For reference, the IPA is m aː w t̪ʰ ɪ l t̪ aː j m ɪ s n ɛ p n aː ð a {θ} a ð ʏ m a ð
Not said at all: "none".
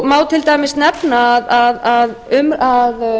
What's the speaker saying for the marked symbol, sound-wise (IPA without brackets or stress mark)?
ð